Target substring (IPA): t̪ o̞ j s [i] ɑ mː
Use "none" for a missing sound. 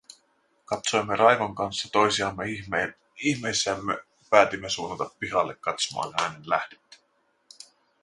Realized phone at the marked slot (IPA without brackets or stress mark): i